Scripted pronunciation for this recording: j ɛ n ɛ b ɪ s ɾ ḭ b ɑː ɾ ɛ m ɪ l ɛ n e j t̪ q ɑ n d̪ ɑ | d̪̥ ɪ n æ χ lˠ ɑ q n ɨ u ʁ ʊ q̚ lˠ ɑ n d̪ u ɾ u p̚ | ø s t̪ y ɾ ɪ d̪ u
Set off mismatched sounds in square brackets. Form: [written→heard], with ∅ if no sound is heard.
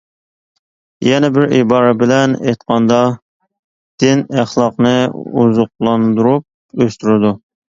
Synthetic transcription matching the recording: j ɛ n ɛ b ɪ [s→∅] ɾ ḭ b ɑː ɾ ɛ [m→b] ɪ l ɛ n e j t̪ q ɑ n d̪ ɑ | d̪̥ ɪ n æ χ lˠ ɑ q n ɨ u [ʁ→z] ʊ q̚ lˠ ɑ n d̪ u ɾ u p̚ | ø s t̪ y ɾ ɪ d̪ u